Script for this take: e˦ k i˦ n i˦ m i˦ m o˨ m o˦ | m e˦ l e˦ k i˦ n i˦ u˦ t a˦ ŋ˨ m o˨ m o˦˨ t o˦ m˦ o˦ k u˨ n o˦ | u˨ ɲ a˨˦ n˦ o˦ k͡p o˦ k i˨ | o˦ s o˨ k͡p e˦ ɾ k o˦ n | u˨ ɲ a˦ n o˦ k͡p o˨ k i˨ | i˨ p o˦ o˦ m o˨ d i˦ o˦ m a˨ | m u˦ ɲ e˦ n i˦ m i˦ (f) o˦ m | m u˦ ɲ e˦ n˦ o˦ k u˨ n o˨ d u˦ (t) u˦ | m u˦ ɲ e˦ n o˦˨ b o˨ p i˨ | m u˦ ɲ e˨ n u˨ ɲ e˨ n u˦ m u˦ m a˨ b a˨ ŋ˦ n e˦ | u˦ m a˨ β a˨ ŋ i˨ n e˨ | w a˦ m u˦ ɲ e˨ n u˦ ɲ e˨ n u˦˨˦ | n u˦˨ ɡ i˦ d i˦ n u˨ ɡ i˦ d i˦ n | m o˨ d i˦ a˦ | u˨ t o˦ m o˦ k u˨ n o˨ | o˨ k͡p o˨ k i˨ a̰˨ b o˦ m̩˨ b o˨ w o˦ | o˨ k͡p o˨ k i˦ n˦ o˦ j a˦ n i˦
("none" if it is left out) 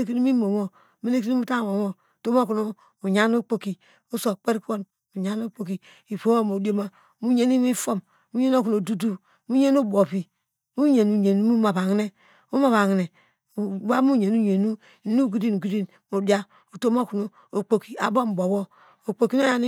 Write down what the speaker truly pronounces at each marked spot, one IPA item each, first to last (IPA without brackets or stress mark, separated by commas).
f, d